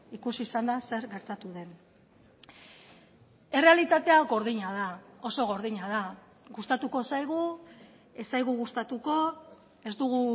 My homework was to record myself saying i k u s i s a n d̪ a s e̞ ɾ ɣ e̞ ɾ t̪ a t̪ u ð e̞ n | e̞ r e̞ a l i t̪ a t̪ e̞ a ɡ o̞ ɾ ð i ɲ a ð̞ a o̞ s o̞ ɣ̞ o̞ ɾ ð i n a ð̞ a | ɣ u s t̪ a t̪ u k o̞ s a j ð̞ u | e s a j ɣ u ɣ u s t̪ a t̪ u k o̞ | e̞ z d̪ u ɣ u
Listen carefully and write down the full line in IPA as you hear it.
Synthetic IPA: i k u s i s a n d̪ a s e̞ ɾ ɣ e̞ ɾ t̪ a t̪ u ð e̞ n | e̞ r e̞ a l i t̪ a t̪ e̞ a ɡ o̞ ɾ ð i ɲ a ð̞ a o̞ s o̞ ɣ̞ o̞ ɾ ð i ɲ a ð̞ a | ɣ u s t̪ a t̪ u k o̞ s a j ɣ̞ u | e s a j ɣ u ɣ u s t̪ a t̪ u k o̞ | e̞ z d̪ u ɣ u